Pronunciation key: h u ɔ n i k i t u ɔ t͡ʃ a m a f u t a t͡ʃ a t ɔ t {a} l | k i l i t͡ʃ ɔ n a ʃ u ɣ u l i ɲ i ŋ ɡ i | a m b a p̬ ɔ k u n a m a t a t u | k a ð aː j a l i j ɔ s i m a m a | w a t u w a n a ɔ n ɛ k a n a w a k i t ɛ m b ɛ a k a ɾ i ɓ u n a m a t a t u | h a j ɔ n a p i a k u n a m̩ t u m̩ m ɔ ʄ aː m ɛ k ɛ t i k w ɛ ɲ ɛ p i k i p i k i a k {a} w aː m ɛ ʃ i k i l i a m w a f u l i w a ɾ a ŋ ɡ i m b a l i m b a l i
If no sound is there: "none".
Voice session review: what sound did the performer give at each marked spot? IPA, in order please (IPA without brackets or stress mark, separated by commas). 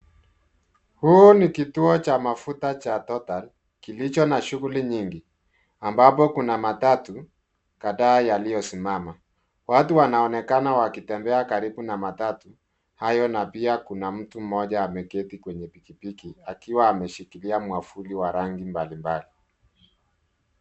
a, i